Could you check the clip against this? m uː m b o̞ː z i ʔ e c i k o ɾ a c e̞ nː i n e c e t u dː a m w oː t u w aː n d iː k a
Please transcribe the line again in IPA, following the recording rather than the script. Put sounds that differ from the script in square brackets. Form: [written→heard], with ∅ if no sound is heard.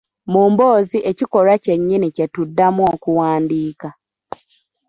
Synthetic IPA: m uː m b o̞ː z i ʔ e c i k o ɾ a c e̞ [nː→ɲː] i n [e→i] c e t u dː a m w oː [t→k] u w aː n d iː k a